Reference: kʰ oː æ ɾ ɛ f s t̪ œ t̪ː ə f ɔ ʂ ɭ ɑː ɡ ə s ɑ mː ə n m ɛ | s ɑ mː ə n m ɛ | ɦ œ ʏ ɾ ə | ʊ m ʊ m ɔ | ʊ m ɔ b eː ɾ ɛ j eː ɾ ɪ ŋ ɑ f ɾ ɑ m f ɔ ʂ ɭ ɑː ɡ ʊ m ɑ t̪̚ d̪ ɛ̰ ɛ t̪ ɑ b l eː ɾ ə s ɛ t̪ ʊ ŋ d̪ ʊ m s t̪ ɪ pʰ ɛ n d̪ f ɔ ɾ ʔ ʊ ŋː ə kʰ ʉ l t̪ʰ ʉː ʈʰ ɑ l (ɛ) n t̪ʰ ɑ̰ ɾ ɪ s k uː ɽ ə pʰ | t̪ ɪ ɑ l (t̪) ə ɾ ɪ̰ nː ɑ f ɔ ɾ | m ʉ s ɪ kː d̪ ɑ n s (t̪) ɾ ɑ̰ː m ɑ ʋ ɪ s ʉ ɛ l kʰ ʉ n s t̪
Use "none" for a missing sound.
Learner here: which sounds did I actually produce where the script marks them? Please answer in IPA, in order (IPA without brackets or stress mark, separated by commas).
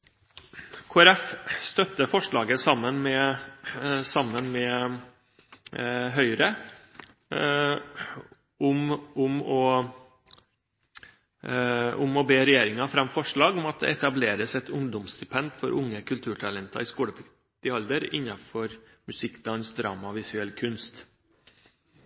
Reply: ɛ, d̪, d̪